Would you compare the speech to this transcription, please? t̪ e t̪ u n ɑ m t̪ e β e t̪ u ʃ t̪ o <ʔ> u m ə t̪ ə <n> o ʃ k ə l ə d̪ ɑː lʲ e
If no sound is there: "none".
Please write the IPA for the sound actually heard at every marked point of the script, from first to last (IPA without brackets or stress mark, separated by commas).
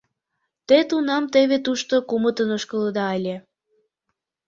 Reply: k, n